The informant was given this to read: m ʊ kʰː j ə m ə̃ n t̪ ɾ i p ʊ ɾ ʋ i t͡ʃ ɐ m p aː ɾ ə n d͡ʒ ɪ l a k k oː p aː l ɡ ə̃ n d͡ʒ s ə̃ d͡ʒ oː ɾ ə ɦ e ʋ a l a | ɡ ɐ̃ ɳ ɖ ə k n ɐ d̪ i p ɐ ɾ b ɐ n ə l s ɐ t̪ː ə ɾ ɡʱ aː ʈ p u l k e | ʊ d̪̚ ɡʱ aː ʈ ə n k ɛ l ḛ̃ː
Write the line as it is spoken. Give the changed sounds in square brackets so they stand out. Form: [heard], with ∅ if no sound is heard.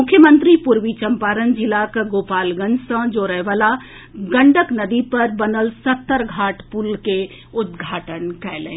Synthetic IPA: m ʊ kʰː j ə m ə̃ n t̪ ɾ i p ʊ ɾ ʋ i t͡ʃ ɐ m p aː ɾ ə n d͡ʒ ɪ l a k [ɡ] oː p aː l ɡ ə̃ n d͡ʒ s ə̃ d͡ʒ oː ɾ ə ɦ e ʋ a l a | ɡ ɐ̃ ɳ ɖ ə k n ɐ d̪ i p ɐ ɾ b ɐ n ə l s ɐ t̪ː ə ɾ ɡʱ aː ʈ p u l k e | ʊ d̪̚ ɡʱ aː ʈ ə n k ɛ l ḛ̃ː